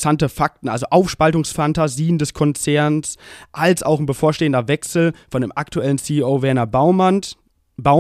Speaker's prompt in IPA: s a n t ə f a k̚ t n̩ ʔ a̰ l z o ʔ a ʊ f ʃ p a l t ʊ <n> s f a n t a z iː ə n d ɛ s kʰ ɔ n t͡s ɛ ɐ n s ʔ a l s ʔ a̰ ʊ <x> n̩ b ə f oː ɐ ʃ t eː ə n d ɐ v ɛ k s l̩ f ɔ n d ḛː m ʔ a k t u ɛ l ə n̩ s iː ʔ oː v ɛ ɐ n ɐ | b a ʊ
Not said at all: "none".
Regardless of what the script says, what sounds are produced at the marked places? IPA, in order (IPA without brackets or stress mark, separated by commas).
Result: ŋ, x